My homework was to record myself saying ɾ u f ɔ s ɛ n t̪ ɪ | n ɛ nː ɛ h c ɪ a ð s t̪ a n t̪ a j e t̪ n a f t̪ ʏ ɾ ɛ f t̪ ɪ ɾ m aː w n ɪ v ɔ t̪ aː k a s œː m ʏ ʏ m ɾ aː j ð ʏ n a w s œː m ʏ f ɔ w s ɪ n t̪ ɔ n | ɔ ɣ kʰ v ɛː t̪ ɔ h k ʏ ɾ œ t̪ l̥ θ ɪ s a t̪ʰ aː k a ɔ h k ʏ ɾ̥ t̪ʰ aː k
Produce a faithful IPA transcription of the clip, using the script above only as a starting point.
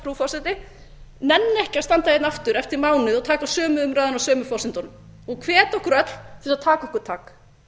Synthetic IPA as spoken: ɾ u f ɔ s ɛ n t̪ ɪ | n ɛ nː ɛ h c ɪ a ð s t̪ a n t̪ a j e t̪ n a f t̪ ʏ ɾ ɛ f t̪ ɪ ɾ m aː w n ɪ ð ɔ t̪ʰ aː k a s œː m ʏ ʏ m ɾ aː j ð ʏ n a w s œː m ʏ f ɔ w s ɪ n t̪ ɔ n | ɔ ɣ kʰ v ɛː t̪ ɔ h k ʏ ɾ œ t̪ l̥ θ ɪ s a t̪ʰ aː k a ɔ h k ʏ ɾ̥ t̪ʰ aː k